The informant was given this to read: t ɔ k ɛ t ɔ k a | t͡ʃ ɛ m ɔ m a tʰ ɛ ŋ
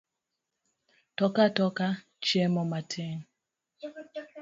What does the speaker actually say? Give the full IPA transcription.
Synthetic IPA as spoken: t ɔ k a t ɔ k a | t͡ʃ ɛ m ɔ m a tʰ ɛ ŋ